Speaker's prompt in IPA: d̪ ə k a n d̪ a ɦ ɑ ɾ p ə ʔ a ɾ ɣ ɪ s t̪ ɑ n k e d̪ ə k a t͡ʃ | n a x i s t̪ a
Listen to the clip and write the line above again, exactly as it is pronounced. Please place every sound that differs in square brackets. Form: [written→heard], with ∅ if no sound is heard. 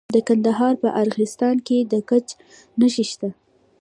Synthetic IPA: d̪ ə k a n d̪ a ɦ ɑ ɾ p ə ʔ a ɾ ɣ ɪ s t̪ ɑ n k e d̪ ə k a t͡ʃ | n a [x→ʃ] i [s→ʃ] t̪ a